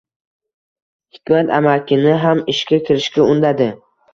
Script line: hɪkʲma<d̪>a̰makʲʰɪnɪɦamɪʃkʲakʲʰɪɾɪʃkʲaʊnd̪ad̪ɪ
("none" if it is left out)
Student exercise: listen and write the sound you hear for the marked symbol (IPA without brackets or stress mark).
t̪